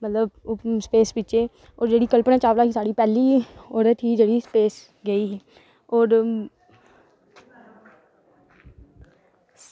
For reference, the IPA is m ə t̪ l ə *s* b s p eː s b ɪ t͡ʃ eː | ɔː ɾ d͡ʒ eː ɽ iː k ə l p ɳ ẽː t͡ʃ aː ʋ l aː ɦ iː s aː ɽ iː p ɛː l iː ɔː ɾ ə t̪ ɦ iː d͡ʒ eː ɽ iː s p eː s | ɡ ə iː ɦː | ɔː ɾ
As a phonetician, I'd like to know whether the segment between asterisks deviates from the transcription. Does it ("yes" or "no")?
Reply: yes